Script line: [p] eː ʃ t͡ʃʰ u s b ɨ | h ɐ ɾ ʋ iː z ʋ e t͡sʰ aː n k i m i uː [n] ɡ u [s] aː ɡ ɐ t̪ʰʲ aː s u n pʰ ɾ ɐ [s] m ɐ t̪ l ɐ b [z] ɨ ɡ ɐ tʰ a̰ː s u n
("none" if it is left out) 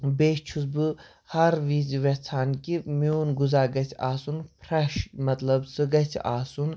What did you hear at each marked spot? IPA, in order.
b, n, z, ʃ, s

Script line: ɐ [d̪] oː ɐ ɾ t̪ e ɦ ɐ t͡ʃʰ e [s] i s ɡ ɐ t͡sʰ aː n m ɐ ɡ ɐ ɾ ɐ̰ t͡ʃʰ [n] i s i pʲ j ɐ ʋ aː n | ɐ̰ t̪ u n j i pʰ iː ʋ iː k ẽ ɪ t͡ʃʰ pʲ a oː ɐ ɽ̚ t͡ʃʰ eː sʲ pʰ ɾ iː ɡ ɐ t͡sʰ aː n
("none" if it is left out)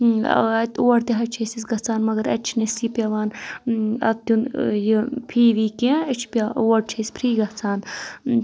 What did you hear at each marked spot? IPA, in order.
t̪, s, n

